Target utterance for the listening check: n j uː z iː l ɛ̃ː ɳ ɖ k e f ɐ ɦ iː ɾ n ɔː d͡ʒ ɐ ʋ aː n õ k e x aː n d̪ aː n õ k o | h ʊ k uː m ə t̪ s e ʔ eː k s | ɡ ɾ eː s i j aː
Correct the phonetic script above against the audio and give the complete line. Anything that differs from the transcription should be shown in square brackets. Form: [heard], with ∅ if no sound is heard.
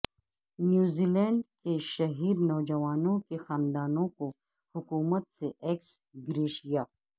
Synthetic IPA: n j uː z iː l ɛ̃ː ɳ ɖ k e [ʃ] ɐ ɦ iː ɾ n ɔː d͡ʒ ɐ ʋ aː n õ k e x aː n d̪ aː n õ k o | h ʊ k uː m ə t̪ s e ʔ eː k s | ɡ ɾ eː [ʃ] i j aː